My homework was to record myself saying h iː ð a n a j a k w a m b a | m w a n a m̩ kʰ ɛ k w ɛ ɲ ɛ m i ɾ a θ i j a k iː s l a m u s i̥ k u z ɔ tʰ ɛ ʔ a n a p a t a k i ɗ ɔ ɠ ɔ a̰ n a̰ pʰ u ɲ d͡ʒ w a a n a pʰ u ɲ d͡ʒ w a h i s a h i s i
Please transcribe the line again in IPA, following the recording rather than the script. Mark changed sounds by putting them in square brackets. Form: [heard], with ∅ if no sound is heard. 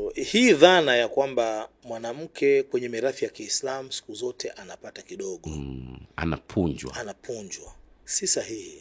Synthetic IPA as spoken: h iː ð a n a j a k w a m b a | m w a n a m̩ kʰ ɛ k w ɛ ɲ ɛ m i ɾ a θ i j a k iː s l a m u s i̥ k u z ɔ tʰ ɛ ʔ a n a p a t a k i ɗ ɔ ɠ ɔ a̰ n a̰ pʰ u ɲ d͡ʒ w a a n a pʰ u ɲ d͡ʒ w a [s] i s a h i [h] i